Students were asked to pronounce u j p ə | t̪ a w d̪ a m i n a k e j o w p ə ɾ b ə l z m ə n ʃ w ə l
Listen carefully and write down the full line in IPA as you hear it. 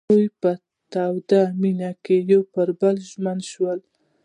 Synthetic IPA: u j p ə | t̪ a w d̪ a m i n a k e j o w p ə ɾ b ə l ʒ m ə n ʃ w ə l